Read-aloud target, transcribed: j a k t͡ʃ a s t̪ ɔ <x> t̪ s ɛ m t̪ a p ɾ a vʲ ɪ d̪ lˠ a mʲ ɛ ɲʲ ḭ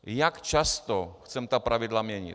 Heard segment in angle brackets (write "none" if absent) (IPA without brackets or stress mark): x